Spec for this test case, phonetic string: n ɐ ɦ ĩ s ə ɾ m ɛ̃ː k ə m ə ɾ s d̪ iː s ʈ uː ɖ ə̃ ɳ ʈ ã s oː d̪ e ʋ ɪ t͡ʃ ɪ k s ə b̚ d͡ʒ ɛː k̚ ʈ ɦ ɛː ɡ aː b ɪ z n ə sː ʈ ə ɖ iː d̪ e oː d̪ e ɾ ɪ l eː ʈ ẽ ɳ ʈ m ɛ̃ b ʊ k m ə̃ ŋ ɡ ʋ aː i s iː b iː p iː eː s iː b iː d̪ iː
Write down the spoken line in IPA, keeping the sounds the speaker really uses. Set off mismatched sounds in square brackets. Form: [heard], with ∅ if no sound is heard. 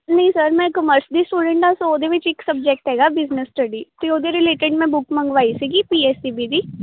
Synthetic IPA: n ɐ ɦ ĩ s ə ɾ m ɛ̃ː k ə m ə ɾ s d̪ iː s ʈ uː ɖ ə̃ ɳ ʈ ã s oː d̪ e ʋ ɪ t͡ʃ ɪ k s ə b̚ d͡ʒ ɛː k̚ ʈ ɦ ɛː ɡ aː b ɪ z n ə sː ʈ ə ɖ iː [t̪] e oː d̪ e ɾ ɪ l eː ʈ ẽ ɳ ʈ m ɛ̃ b ʊ k m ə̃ ŋ ɡ ʋ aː i s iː [ɡ] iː p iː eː s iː b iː d̪ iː